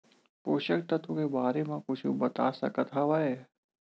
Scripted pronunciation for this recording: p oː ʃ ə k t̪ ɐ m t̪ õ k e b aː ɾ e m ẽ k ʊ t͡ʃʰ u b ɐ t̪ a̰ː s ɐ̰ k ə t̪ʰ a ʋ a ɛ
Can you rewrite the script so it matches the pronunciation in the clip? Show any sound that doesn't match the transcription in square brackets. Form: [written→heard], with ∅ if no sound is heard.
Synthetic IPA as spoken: p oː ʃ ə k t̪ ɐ [m→∅] t̪ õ k e b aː ɾ e m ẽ k ʊ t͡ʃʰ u b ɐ t̪ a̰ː s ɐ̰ k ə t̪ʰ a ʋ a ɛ